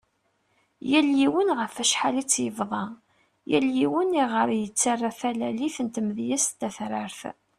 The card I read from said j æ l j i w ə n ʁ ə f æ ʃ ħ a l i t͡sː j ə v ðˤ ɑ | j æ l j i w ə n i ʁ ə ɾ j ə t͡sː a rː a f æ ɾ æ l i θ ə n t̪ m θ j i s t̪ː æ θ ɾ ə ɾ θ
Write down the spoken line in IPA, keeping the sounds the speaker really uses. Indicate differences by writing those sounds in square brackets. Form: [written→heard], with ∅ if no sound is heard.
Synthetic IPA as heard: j æ l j i w ə n ʁ ə f æ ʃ ħ a l i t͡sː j ə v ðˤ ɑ | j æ l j i w ə n i ʁ ə ɾ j ə t͡sː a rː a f æ [ɾ→l] æ l i θ ə n t̪ m [θ→ð] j [i→æ] s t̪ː æ θ ɾ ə ɾ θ